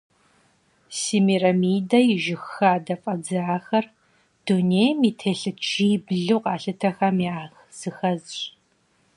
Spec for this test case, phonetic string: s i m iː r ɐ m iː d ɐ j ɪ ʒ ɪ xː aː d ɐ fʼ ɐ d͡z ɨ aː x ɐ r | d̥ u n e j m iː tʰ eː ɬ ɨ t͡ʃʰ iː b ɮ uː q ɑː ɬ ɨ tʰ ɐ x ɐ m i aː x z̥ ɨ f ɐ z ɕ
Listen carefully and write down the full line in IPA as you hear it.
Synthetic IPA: s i m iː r ɐ m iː d ɐ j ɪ ʒ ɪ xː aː d ɐ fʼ ɐ d͡z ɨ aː x ɐ r | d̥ u n e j m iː tʰ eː ɬ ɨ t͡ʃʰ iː b ɮ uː q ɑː ɬ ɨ tʰ ɐ x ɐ m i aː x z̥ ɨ x ɐ z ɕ